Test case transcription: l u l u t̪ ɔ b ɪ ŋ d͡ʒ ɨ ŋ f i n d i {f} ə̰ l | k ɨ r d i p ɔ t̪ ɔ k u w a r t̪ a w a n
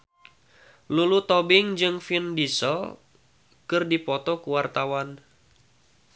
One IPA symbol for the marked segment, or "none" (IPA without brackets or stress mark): s